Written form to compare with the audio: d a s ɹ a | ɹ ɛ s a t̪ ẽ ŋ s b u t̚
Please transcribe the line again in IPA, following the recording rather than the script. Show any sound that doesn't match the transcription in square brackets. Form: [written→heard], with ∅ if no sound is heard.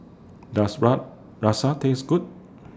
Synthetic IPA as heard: d a s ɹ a | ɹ [ɛ→a] s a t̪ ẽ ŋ s [b→ɡ] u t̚